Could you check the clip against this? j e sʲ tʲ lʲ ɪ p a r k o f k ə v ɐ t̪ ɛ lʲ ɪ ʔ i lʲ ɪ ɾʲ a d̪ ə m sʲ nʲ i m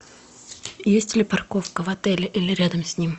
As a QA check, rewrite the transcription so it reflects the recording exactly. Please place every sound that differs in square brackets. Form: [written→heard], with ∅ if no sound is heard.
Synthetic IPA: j e sʲ tʲ lʲ ɪ p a r k o f k ə v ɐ t̪ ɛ lʲ ɪ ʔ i lʲ ɪ ɾʲ a d̪ ə m sʲ nʲ i m